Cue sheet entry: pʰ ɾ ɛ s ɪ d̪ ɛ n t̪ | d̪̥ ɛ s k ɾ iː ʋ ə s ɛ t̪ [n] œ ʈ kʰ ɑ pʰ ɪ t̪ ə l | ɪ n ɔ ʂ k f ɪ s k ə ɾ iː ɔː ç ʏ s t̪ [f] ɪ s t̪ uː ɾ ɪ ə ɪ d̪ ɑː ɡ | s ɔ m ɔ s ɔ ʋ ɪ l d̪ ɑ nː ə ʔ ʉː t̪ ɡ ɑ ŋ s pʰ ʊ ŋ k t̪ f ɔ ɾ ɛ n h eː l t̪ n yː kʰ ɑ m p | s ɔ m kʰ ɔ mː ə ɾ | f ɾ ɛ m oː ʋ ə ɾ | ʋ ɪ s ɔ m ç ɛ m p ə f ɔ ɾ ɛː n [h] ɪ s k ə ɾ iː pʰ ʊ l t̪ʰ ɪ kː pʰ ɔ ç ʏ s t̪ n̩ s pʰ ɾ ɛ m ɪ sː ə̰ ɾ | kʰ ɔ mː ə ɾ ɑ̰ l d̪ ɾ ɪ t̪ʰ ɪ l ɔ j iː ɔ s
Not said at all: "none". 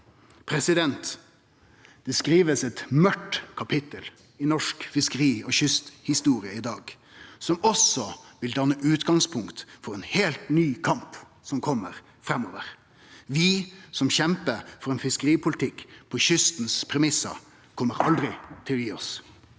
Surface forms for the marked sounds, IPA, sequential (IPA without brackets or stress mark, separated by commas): m, h, f